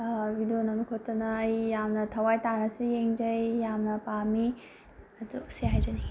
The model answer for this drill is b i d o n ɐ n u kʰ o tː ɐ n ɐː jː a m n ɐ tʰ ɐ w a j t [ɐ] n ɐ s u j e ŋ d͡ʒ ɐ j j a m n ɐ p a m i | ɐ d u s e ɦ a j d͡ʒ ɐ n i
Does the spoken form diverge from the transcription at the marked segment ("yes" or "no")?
yes